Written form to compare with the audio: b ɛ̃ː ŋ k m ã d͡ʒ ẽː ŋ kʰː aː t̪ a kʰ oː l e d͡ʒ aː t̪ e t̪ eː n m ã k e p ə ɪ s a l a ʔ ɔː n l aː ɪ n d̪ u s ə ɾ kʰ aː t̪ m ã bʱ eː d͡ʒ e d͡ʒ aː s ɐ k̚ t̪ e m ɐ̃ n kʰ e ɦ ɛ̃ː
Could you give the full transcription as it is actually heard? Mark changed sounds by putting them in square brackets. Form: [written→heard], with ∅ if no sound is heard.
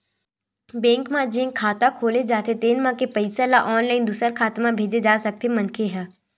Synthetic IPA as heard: b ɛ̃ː ŋ k m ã d͡ʒ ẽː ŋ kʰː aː t̪ a kʰ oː l e d͡ʒ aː t̪ e t̪ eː n m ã k e p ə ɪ s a l a ʔ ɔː n l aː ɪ n d̪ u s ə ɾ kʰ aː t̪ m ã bʱ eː d͡ʒ e d͡ʒ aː s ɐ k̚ t̪ e m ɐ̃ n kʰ e ɦ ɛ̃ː

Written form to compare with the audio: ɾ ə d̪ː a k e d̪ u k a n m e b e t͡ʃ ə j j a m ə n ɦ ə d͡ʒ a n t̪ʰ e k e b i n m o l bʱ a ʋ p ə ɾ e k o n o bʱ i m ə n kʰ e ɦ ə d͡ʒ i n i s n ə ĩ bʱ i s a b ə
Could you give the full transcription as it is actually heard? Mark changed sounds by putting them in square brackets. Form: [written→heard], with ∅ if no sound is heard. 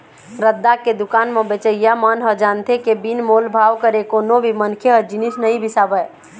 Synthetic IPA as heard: ɾ ə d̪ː a k e d̪ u k a n m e b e t͡ʃ ə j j a m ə n ɦ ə d͡ʒ a n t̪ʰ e k e b i n m o l bʱ a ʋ [p→k] ə ɾ e k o n o bʱ i m ə n kʰ e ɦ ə d͡ʒ i n i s n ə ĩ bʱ i s a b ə

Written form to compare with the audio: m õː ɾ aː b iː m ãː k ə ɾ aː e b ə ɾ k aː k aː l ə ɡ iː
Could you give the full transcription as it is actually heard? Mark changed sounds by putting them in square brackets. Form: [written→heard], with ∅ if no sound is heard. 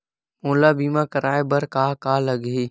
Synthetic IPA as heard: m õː [ɾ→l] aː b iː m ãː k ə ɾ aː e b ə ɾ k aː k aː l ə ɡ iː

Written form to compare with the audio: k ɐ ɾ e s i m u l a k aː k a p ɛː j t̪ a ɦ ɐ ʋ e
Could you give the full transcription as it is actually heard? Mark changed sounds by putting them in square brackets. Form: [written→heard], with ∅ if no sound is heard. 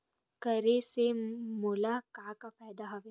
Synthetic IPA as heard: k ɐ ɾ e s [i→e] m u l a k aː k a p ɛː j [t̪→d̪] a ɦ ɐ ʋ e

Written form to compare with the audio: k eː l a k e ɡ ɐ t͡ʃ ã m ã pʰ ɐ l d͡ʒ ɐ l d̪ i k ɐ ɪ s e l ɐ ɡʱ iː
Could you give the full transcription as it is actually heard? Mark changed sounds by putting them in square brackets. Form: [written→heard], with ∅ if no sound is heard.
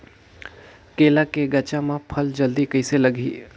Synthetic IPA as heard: k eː l a k e ɡ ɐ t͡ʃ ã m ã pʰ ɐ l d͡ʒ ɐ l d̪ i k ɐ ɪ s e l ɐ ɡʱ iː

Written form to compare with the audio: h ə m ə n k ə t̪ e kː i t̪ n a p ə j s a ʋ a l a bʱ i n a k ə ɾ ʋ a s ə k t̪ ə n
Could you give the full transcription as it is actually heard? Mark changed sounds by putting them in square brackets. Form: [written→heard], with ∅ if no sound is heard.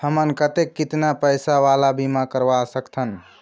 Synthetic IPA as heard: h ə m ə n k ə t̪ e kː i t̪ n a p ə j s a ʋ a l a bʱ i [n→m] a k ə ɾ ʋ a s ə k [t̪→t̪ʰ] ə n

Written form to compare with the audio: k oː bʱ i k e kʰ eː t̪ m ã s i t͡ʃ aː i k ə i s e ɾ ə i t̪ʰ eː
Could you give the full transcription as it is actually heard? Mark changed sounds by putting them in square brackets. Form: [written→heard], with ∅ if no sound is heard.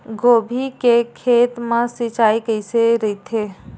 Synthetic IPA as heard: [k→ɡ] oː bʱ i k e kʰ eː t̪ m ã s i t͡ʃ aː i k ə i s e ɾ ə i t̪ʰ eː

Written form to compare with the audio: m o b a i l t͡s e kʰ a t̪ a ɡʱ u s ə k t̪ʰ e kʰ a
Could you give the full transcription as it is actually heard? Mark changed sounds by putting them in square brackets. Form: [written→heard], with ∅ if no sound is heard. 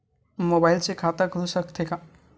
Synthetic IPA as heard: m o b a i l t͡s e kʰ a t̪ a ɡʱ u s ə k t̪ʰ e [kʰ→k] a

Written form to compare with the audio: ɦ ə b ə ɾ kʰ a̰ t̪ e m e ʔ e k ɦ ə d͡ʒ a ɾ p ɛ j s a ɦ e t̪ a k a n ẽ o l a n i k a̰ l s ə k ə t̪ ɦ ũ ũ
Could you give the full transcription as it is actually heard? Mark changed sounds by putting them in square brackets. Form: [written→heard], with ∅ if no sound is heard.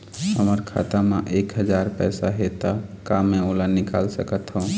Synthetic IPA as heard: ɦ ə [b→m] ə ɾ kʰ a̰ t̪ [e→a] m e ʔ e k ɦ ə d͡ʒ a ɾ p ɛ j s a ɦ e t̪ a k a [n→m] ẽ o l a n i k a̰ l s ə k ə t̪ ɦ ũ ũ

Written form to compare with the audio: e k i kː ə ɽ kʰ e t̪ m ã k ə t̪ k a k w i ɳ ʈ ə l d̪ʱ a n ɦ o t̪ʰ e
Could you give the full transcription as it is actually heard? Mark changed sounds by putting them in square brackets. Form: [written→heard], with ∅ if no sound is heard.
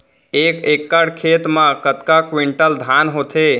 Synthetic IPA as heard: e k [i→e] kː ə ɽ kʰ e t̪ m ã k ə t̪ k a k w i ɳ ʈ ə l d̪ʱ a n ɦ o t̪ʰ e

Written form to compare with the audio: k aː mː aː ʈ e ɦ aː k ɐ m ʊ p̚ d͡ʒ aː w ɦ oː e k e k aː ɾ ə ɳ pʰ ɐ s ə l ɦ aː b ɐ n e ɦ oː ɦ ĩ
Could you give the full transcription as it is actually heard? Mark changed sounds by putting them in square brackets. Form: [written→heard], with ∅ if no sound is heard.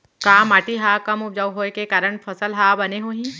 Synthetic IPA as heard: k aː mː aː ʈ [e→i] ɦ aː k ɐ m ʊ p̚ d͡ʒ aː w ɦ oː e k e k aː ɾ ə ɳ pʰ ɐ s ə l ɦ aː b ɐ n e ɦ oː ɦ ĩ

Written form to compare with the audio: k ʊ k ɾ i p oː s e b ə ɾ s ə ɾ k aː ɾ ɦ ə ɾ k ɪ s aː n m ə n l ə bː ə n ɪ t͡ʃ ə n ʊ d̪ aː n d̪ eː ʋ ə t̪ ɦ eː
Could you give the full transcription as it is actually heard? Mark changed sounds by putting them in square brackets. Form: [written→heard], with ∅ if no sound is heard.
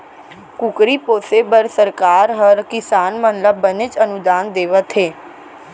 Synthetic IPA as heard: k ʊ k ɾ i p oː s e b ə ɾ s ə ɾ k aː ɾ ɦ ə ɾ k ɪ s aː n m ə n l ə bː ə n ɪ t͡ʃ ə n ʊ d̪ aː n d̪ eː ʋ ə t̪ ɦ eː

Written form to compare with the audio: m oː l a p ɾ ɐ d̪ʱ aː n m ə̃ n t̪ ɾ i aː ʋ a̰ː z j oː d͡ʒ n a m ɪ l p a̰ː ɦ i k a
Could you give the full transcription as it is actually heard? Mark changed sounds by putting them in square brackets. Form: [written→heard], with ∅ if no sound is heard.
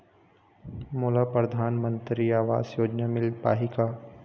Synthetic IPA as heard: m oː l a p ɾ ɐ d̪ʱ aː n m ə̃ n t̪ ɾ i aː ʋ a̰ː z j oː d͡ʒ n a m ɪ l p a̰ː ɦ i k a

